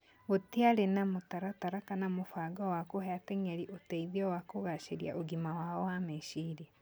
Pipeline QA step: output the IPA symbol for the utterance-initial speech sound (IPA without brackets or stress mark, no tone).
o